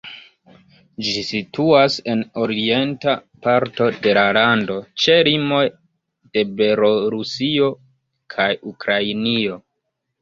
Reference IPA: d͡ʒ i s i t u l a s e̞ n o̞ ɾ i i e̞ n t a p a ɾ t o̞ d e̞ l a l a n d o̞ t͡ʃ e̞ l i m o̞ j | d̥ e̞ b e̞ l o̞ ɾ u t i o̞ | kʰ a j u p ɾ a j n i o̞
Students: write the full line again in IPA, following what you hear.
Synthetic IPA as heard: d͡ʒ i s i t u a s e̞ n o̞ ɾ i i e̞ n t a p a ɾ t o̞ d e̞ l a l a n d o̞ t͡ʃ e̞ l i m o̞ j | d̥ e̞ b e̞ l o̞ ɾ u s i o̞ | kʰ a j u k ɾ a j n i o̞